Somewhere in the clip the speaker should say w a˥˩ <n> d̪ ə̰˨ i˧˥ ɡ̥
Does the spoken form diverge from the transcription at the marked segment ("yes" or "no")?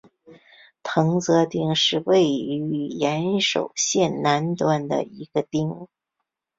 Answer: no